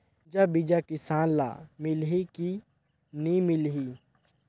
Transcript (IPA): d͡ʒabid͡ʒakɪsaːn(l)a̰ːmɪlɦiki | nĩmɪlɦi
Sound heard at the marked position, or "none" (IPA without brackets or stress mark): l